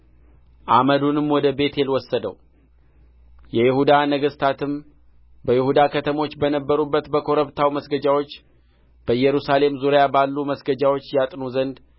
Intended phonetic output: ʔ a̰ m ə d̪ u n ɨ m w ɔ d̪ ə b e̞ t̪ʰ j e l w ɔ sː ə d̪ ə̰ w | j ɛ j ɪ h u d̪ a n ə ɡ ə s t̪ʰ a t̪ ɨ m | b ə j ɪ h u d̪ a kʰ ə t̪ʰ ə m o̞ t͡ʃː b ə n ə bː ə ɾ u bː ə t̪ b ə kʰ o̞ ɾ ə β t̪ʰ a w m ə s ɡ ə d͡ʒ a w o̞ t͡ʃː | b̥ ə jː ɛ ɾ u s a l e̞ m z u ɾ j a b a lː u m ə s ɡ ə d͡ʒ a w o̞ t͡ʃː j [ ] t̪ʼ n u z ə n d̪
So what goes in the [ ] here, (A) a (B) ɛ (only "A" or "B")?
A